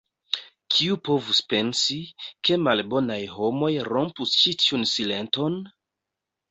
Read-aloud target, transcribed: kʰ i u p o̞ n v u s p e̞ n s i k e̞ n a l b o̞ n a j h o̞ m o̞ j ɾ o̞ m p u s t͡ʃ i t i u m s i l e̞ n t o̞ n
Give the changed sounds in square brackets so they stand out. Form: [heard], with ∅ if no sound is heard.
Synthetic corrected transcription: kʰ i u p o̞ [∅] v u s p e̞ n s i k e̞ [m] a l b o̞ n a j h o̞ m o̞ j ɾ o̞ m p u s t͡ʃ i t i u [n] s i l e̞ n t o̞ n

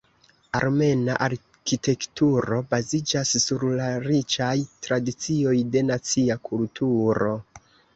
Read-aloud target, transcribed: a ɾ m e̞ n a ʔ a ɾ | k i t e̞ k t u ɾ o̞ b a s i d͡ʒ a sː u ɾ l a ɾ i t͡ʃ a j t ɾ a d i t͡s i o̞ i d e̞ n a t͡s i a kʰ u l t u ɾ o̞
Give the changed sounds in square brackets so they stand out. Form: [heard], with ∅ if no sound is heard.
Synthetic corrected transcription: a ɾ m e̞ n a ʔ a ɾ | k i t e̞ k t u ɾ o̞ b a [z] i d͡ʒ a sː u ɾ l a ɾ i t͡ʃ a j t ɾ a d i t͡s i o̞ [j] d e̞ n a t͡s i a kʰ u l t u ɾ o̞

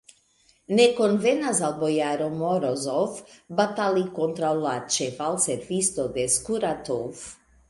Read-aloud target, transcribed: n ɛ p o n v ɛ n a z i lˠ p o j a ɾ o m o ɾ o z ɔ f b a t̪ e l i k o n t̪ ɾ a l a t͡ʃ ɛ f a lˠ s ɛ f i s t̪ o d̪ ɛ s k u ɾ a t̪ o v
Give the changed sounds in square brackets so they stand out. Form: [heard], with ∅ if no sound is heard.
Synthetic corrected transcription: n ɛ [k] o n v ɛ n a z [a] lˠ [b] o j a ɾ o m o ɾ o z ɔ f b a t̪ [a] l i k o n t̪ ɾ a l a t͡ʃ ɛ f a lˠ s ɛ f i s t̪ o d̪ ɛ s k u ɾ a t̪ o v

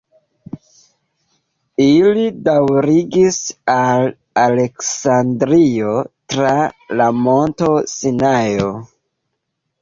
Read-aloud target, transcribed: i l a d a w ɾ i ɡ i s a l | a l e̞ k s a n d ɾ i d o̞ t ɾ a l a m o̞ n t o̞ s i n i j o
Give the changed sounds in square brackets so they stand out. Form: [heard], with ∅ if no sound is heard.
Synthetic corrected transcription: i l [i] d a w ɾ i ɡ i s a l | a l e̞ k s a n d ɾ i [∅] o̞ t ɾ a l a m o̞ n t o̞ s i n [a] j o

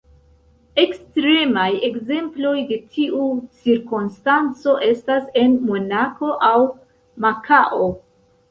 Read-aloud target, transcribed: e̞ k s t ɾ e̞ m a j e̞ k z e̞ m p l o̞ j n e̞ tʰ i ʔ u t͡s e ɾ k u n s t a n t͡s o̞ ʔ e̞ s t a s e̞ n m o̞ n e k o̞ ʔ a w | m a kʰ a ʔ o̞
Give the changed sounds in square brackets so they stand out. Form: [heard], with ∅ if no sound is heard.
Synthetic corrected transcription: e̞ k s t ɾ e̞ m a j e̞ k z e̞ m p l o̞ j [d] e̞ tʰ i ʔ u t͡s [i] ɾ k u n s t a n t͡s o̞ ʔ e̞ s t a s e̞ n m o̞ n [a] k o̞ ʔ a w | m a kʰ a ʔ o̞

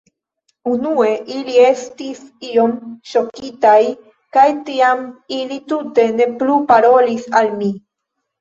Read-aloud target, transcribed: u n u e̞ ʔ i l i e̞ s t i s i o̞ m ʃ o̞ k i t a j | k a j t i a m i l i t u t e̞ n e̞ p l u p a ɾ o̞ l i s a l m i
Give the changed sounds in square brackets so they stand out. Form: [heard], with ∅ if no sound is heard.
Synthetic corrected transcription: u n u e̞ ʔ i l i e̞ s t i s i o̞ m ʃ o̞ k i t a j | k a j t i a m i l i t u t e̞ n e̞ p l u p a ɾ o̞ l i s a l m i

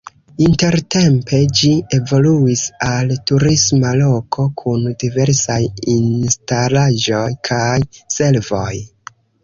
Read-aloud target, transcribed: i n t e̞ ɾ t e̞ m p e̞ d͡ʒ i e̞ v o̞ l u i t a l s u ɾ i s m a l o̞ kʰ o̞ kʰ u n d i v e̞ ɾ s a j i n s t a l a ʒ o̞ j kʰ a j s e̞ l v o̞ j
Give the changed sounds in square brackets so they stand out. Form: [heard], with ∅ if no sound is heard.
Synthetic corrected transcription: i n t e̞ ɾ t e̞ m p e̞ d͡ʒ i e̞ v o̞ l u i [s] a l [t] u ɾ i s m a l o̞ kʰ o̞ kʰ u n d i v e̞ ɾ s a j i n s t a l a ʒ o̞ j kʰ a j s e̞ l v o̞ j

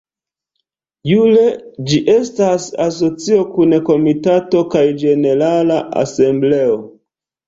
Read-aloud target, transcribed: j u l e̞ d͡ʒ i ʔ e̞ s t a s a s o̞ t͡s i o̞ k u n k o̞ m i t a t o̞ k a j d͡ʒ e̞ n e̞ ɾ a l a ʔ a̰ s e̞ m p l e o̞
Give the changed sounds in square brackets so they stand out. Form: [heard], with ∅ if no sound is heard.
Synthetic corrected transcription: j u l e̞ d͡ʒ i ʔ e̞ s t a s a s o̞ t͡s i o̞ k u n k o̞ m i t a t o̞ k a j d͡ʒ e̞ n e̞ ɾ a l a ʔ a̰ s e̞ m [b] l e o̞

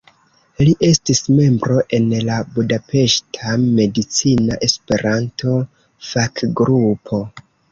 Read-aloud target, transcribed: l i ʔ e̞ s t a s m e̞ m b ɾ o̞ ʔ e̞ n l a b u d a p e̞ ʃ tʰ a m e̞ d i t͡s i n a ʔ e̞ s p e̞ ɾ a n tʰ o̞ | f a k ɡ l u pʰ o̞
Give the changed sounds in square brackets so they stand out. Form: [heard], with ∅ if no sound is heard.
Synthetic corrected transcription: l i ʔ e̞ s t [i] s m e̞ m b ɾ o̞ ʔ e̞ n l a b u d a p e̞ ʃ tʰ a m e̞ d i t͡s i n a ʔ e̞ s p e̞ ɾ a n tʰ o̞ | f a k ɡ [ɾ] u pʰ o̞

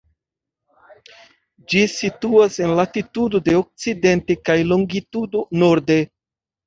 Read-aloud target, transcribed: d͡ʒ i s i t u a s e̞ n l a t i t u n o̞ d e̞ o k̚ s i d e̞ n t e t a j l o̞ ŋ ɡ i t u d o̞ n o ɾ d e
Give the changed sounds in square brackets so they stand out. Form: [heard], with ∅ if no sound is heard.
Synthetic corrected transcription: d͡ʒ i s i t u a s e̞ n l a t i t u [d] o̞ d e̞ o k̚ [t͡s] i d e̞ n t e [k] a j l o̞ ŋ ɡ i t u d o̞ n o ɾ d e

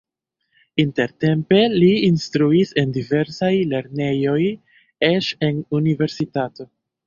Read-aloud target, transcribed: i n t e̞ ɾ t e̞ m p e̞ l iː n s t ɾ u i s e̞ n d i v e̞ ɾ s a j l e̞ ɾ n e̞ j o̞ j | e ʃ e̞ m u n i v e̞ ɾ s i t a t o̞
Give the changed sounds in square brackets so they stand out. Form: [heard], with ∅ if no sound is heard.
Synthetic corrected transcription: i n t e̞ ɾ t e̞ m p e̞ l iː n s t ɾ u i s e̞ n d i v e̞ ɾ s a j l e̞ ɾ n e̞ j o̞ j | e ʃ e̞ [n] u n i v e̞ ɾ s i t a t o̞

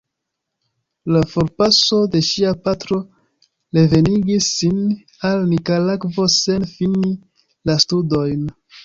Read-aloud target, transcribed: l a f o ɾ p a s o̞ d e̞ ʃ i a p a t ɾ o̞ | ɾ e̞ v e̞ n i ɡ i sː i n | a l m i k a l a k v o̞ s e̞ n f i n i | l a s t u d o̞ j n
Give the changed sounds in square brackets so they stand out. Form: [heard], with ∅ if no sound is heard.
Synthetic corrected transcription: l a f o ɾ p a s o̞ d e̞ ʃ i a p a t ɾ o̞ | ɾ e̞ v e̞ n i ɡ i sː i n | a l [n] i k a l a k v o̞ s e̞ n f i n i | l a s t u d o̞ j n

